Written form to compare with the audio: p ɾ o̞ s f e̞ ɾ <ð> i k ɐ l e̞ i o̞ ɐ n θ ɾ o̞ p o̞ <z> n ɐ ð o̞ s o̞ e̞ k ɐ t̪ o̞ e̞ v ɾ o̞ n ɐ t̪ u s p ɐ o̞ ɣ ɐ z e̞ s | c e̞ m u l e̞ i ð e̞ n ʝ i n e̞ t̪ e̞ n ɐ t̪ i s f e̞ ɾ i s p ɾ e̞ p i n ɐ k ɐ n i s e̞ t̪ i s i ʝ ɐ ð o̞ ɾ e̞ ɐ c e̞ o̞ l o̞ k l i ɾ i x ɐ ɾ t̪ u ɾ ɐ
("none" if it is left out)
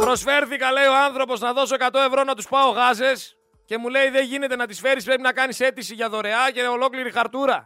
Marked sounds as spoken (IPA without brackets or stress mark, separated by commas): θ, z